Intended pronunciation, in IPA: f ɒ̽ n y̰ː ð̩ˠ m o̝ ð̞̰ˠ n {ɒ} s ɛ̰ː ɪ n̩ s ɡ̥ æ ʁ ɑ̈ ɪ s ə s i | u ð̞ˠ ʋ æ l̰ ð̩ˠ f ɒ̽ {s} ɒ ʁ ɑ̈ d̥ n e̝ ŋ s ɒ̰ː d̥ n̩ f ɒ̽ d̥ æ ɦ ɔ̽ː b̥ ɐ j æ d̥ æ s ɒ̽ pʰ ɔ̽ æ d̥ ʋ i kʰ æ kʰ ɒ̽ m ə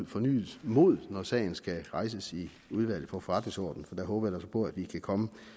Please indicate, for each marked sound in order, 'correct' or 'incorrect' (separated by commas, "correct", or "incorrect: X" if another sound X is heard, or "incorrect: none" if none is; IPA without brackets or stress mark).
correct, incorrect: f